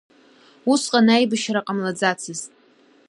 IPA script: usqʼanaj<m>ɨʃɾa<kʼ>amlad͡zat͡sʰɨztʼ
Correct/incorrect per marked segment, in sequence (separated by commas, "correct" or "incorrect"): incorrect, incorrect